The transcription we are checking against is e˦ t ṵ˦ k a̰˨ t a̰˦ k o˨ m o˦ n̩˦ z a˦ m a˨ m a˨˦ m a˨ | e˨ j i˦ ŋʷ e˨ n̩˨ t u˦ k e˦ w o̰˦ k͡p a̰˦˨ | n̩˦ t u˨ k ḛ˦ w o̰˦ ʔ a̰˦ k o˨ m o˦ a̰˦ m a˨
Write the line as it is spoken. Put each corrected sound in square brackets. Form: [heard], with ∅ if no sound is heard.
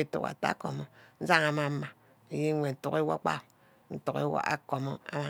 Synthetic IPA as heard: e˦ t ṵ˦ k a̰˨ t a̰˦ k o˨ m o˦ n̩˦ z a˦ [ŋ] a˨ m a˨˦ m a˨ | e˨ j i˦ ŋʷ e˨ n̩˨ t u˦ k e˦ w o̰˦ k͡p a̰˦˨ | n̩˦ t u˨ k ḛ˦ w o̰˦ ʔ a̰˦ k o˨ m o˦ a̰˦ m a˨